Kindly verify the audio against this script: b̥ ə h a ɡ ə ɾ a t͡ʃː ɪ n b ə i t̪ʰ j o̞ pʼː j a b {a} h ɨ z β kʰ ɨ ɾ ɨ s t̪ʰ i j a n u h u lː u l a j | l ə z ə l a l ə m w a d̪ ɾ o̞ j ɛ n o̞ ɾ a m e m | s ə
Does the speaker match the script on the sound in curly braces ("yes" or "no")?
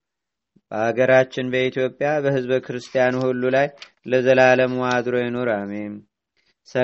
no